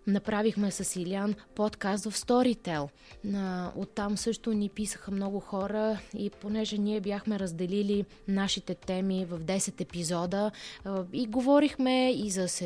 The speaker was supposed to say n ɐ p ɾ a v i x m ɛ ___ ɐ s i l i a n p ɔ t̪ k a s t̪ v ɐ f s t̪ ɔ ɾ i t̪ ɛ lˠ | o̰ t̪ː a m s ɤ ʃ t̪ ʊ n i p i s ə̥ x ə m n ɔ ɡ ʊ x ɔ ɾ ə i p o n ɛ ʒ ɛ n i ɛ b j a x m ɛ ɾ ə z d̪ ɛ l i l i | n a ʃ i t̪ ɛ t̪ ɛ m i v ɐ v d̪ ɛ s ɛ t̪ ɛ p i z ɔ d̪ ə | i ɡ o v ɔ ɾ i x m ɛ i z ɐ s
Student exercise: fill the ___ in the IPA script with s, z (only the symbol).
s